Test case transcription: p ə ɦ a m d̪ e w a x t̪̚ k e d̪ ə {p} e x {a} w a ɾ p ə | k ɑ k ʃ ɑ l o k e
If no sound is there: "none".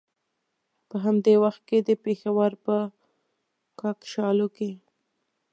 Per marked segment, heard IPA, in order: p, a

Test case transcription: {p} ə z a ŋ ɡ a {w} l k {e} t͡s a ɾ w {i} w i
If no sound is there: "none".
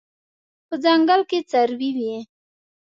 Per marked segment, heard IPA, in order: p, none, e, i

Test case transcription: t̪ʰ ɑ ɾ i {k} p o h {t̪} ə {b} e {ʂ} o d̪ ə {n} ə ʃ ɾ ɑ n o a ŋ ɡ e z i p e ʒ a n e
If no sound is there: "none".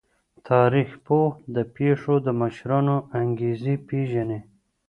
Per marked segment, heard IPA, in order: x, d̪, p, ʂ, m

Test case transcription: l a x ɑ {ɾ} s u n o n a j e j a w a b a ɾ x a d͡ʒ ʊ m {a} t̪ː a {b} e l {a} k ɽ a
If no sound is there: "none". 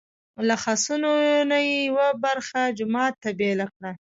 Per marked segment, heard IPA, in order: none, ɑ, b, a

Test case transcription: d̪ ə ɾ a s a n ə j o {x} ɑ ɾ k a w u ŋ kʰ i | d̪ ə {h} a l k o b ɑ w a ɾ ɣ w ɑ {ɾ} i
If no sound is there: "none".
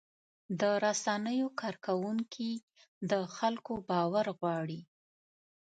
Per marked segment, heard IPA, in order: k, x, ɽ

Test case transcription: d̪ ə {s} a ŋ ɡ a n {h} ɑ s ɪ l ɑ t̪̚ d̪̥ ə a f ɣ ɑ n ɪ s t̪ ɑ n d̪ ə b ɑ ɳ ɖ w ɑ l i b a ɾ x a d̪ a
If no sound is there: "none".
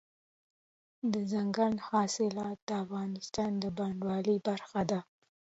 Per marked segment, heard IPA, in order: z, h

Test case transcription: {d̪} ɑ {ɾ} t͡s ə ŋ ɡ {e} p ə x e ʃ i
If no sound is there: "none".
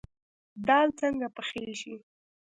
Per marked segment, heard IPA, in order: d̪, l, a

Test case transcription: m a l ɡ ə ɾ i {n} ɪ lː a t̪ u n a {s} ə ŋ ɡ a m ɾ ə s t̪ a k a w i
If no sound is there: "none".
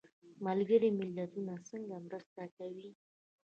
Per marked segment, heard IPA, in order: m, s

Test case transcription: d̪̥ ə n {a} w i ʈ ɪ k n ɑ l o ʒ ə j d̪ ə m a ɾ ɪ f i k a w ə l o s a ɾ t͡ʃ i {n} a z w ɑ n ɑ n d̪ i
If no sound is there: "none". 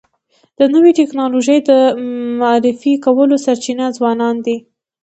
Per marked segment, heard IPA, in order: ə, n

